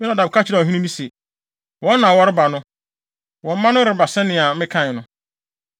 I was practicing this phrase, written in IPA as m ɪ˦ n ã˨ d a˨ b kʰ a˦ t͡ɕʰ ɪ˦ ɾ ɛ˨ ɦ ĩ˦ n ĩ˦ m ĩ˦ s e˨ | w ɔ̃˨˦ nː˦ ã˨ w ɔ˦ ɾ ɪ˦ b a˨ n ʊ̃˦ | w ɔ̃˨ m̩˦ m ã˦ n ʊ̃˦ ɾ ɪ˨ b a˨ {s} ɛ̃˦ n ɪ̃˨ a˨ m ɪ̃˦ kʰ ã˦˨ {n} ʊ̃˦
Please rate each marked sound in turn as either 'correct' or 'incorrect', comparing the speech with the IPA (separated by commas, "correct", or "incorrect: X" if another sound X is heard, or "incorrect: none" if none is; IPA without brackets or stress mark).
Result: correct, correct